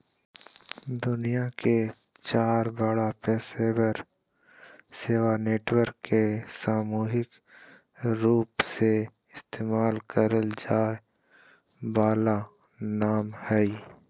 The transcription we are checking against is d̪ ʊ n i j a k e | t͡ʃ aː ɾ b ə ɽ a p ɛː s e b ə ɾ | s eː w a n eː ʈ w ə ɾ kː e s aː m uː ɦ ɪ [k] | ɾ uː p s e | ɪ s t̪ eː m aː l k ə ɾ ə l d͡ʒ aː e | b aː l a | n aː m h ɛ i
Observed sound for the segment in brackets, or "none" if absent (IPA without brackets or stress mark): k